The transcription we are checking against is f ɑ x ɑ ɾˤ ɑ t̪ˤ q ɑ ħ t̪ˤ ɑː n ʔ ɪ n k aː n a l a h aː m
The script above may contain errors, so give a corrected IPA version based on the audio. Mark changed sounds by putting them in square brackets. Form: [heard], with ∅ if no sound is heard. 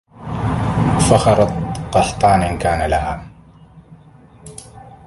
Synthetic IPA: f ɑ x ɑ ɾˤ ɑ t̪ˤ q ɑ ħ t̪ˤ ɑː n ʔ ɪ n k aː n a l a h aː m